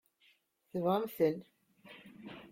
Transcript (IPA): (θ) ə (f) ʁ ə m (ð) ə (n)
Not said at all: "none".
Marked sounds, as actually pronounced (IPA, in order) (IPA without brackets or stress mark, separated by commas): θ, v, θ, n